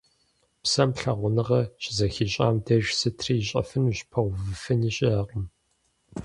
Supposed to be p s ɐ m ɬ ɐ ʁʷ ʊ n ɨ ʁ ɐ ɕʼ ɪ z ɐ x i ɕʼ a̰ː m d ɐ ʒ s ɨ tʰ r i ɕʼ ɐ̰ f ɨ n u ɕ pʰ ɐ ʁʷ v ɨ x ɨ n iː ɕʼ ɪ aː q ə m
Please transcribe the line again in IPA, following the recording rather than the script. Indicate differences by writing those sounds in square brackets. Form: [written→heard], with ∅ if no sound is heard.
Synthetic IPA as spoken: p s ɐ m ɬ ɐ ʁʷ ʊ n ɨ ʁ ɐ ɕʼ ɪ z ɐ x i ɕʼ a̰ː m d ɐ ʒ s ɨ tʰ r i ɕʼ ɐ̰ f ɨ n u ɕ pʰ ɐ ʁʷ v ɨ [x→f] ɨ n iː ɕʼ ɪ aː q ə m